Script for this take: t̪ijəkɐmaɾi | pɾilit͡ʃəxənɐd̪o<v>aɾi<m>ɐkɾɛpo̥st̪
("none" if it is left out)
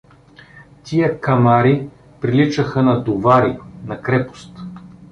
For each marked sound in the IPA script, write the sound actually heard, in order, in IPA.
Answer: v, n

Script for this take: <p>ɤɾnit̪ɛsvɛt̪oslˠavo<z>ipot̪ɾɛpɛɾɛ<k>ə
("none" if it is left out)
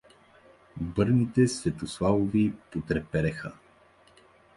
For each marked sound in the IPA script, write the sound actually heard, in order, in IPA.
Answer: b, v, x

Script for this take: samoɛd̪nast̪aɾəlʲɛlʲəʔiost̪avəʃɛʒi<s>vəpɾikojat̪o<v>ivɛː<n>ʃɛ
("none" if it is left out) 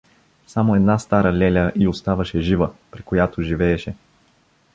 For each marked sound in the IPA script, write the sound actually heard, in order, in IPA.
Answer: none, ʒ, none

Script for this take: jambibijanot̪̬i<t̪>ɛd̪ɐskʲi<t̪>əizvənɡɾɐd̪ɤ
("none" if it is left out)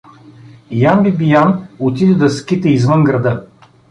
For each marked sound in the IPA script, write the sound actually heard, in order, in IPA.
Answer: d̪, t̪

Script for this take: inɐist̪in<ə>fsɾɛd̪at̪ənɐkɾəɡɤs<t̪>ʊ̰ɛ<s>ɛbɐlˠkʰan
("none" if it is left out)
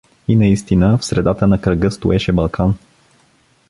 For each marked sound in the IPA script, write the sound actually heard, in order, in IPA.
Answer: ə, t̪, ʃ

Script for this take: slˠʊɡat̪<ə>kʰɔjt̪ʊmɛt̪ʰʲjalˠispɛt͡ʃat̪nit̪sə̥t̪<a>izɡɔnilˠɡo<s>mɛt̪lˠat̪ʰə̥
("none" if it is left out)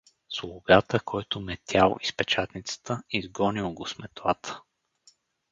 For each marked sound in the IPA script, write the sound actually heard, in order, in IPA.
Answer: ə, ə, s

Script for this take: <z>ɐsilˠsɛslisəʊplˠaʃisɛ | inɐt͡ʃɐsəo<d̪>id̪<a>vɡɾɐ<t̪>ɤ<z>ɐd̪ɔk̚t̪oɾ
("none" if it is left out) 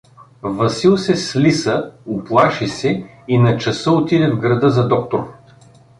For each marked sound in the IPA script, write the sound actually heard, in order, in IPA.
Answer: v, t̪, ɛ, d̪, z

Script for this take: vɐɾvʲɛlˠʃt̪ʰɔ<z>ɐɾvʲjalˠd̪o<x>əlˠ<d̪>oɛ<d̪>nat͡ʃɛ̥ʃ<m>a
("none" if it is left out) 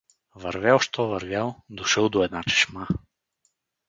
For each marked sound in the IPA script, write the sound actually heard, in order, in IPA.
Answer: v, ʃ, d̪, d̪, m

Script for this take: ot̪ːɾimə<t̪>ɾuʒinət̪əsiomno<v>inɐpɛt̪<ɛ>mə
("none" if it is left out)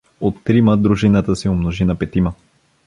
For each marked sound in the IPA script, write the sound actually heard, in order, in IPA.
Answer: d̪, ʒ, i

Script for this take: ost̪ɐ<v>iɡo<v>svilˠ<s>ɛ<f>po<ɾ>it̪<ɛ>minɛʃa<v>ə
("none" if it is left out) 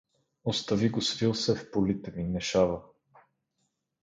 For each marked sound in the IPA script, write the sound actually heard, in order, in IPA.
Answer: v, none, s, f, l, ɛ, v

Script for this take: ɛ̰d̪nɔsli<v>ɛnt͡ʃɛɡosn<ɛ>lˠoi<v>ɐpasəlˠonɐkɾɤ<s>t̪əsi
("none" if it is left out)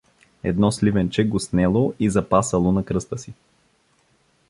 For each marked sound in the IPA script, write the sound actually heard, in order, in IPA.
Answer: v, ɛ, z, s

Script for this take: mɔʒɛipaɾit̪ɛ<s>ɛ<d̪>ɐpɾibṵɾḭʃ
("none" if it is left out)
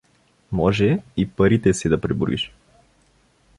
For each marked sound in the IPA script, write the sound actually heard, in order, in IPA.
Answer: s, d̪

